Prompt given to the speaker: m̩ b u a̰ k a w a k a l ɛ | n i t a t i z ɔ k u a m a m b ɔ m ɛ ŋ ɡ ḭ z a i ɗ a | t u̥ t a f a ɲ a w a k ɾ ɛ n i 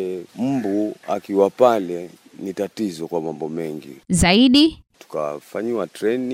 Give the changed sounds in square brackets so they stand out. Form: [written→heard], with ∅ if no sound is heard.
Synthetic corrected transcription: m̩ b u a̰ k [a→i] w a [k→p] a l ɛ | n i t a t i z ɔ k [u→w] a m a m b ɔ m ɛ ŋ ɡ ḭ z a i ɗ [a→i] | t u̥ [t→k] a f a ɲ [a→i] w a [k→t] ɾ ɛ n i